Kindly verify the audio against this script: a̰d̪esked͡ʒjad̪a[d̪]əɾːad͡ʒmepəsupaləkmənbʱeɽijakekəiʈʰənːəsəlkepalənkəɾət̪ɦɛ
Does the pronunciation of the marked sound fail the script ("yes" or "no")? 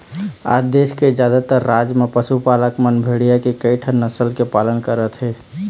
yes